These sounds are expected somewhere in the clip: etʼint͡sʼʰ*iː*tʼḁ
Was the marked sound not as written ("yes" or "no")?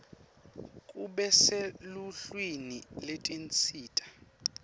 no